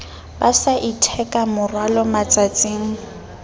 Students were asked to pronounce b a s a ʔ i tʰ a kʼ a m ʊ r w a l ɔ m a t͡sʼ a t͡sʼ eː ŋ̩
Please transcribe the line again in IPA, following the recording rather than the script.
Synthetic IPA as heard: b a s a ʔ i tʰ ɛ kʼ a m ʊ r w a l ɔ m a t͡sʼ a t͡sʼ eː ŋ̩